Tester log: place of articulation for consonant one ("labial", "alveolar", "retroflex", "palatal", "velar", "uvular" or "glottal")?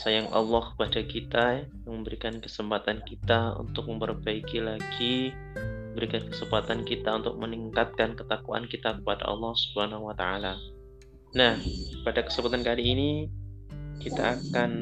alveolar